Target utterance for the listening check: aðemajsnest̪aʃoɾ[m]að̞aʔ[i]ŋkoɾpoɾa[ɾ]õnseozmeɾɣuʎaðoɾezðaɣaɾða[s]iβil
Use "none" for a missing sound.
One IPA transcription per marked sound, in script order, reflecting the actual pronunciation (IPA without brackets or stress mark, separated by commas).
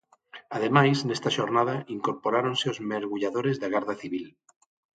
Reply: n, i, ɾ, θ